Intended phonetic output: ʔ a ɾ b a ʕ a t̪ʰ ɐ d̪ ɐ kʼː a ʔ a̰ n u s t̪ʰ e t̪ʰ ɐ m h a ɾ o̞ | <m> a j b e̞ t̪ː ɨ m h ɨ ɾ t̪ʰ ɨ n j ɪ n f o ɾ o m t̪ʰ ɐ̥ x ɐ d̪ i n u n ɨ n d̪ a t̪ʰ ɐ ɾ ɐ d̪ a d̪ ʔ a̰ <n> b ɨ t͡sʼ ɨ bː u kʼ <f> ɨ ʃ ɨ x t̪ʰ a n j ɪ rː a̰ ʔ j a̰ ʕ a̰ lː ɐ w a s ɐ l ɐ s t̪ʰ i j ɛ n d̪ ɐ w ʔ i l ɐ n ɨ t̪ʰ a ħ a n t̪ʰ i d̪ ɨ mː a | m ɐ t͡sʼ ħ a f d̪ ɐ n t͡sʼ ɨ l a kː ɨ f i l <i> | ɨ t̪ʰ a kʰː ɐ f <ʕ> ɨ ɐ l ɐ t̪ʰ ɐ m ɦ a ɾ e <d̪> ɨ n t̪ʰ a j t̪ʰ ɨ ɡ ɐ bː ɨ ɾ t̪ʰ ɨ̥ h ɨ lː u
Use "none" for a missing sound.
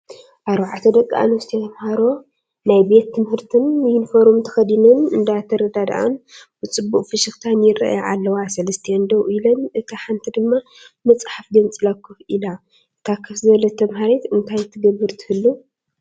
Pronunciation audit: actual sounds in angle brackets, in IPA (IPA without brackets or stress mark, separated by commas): n, n, f, a, z, t̪